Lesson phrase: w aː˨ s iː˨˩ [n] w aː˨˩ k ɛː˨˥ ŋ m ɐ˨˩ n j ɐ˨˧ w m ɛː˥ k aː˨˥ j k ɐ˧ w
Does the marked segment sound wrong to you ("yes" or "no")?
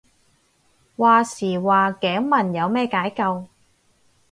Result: yes